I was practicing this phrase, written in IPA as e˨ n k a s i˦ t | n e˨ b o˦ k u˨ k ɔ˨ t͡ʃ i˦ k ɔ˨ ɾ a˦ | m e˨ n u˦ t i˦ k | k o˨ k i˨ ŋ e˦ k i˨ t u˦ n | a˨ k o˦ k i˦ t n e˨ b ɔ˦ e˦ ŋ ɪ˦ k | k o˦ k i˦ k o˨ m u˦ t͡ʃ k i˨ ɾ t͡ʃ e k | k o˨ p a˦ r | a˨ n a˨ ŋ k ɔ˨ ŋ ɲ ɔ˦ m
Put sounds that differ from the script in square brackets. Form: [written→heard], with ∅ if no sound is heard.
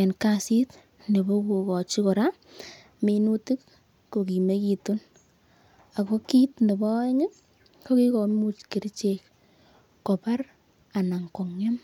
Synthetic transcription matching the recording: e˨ n k a s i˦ t | n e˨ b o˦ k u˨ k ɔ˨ t͡ʃ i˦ k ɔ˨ ɾ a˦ | m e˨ n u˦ t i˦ k | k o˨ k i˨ [ŋ→m] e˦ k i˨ t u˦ n | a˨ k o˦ k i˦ t n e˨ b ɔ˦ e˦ ŋ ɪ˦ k | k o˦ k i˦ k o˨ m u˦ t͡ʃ k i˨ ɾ t͡ʃ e k | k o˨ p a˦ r | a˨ n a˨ ŋ k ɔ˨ ŋ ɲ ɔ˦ m